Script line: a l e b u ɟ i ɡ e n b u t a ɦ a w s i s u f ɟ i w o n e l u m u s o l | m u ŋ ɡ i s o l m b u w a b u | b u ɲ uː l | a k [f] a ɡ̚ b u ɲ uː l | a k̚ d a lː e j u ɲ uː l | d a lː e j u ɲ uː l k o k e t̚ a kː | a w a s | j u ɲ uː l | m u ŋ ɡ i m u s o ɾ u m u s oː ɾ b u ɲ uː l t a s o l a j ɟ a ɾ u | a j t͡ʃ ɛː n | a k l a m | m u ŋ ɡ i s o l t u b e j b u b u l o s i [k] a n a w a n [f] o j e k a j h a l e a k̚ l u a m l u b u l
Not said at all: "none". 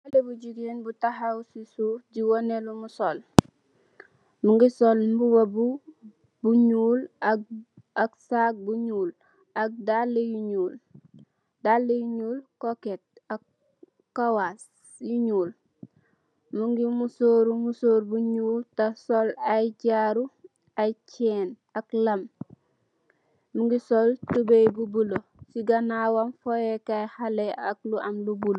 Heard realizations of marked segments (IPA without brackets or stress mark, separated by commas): s, ɡ, f